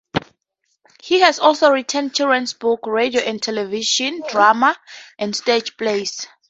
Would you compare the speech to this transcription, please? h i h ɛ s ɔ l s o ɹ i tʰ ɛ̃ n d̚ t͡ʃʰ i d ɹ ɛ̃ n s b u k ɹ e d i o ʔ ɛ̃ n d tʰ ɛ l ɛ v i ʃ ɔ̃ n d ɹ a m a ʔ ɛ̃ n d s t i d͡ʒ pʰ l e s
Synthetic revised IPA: h i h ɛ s ɔ l s o ɹ i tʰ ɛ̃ n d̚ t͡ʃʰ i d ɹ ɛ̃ n s b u k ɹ e d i o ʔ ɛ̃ n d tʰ ɛ l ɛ v i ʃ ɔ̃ n d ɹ a m a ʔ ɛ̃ n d s t e d͡ʒ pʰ l e s